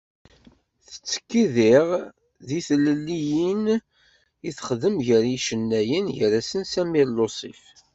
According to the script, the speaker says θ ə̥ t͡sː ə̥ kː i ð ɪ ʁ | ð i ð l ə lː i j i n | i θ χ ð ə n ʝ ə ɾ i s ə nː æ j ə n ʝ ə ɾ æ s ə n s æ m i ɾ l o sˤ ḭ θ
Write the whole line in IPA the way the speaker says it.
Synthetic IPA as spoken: θ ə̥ t͡sː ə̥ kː i ð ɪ ʁ | ð i θ l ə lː i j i n | i θ χ ð ə m ʝ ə ɾ i ʃ ə nː æ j ə n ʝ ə ɾ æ s ə n s æ m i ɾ l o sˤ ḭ f